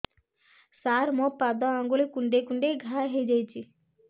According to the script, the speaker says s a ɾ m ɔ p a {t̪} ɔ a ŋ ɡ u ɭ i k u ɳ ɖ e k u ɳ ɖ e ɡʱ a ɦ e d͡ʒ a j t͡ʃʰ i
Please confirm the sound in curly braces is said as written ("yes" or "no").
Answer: no